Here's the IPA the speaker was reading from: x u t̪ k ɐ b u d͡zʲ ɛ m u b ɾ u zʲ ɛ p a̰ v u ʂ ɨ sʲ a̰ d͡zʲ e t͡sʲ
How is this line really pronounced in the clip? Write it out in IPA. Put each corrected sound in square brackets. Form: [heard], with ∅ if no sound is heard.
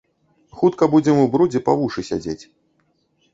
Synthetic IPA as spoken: x u t̪ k ɐ b u d͡zʲ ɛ m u b ɾ u [d͡zʲ] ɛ p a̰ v u ʂ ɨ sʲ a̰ d͡zʲ e t͡sʲ